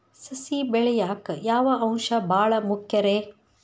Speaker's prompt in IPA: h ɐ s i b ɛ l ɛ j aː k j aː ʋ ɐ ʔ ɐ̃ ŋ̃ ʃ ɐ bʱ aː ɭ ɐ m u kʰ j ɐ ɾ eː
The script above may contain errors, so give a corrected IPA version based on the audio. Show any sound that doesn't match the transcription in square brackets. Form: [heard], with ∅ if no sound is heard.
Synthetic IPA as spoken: [s] ɐ s i b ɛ [ɭ] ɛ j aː k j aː ʋ ɐ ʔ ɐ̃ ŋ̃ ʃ ɐ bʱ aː ɭ ɐ m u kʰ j ɐ ɾ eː